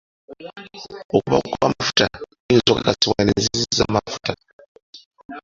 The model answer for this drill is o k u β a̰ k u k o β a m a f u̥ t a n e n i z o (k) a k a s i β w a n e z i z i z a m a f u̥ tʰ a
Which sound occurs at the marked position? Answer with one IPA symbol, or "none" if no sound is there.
k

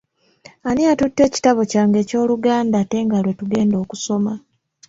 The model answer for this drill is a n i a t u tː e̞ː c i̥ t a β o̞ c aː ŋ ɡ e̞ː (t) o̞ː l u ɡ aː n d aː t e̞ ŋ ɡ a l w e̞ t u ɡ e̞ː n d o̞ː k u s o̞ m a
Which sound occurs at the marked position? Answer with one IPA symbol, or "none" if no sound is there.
c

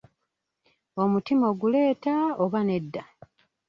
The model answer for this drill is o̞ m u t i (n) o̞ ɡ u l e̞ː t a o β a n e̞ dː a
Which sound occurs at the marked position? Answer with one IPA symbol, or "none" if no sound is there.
m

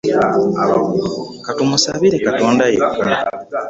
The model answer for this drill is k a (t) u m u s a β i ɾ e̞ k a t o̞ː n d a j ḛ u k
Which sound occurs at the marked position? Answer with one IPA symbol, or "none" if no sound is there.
t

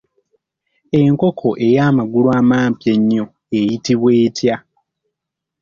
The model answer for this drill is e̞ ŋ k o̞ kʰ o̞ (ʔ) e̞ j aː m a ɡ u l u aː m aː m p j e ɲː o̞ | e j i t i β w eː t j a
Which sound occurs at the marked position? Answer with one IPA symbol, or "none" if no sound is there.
ʔ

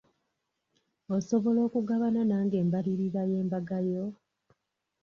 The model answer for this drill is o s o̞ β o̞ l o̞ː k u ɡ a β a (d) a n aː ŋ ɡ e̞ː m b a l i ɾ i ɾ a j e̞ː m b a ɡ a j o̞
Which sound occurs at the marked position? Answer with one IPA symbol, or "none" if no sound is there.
n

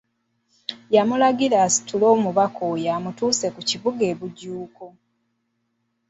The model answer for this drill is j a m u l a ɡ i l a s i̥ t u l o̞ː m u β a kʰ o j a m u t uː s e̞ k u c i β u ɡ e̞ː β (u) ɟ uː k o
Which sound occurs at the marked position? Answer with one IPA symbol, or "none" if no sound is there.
u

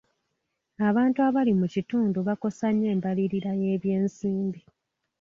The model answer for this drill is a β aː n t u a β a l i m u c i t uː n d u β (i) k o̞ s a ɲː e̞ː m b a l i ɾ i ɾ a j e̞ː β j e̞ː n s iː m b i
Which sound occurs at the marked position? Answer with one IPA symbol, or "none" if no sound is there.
a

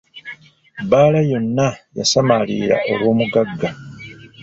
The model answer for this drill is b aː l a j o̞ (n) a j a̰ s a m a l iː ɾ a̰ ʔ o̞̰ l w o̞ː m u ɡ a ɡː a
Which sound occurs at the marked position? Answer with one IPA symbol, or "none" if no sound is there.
nː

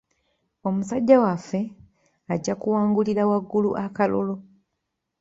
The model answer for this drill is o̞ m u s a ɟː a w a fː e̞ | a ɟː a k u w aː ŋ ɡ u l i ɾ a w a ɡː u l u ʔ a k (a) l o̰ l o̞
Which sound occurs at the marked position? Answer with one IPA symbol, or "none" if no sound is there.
a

